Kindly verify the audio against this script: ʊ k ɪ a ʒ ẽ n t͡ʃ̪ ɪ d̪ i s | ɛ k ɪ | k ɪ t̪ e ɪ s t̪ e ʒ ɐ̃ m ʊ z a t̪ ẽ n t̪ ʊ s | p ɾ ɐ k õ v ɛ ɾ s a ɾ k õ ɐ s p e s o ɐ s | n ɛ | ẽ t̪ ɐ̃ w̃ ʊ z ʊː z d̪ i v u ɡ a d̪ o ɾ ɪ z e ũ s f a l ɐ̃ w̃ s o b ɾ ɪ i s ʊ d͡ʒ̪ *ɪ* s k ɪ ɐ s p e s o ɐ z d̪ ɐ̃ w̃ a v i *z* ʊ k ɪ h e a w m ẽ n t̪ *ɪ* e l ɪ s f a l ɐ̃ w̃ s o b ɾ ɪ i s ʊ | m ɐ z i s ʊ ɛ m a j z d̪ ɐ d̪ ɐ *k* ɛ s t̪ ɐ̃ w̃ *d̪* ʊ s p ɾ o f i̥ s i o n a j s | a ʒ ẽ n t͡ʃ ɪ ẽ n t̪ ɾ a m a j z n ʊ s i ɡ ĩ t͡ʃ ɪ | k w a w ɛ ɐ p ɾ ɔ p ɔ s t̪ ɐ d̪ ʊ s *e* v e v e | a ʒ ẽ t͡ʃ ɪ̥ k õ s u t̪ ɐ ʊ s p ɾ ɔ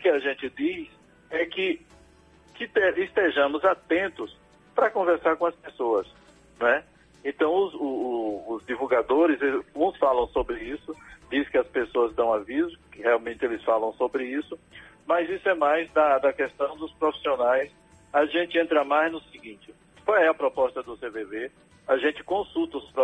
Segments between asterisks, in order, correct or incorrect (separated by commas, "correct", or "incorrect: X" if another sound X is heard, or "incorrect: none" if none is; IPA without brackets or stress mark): incorrect: i, correct, correct, correct, correct, correct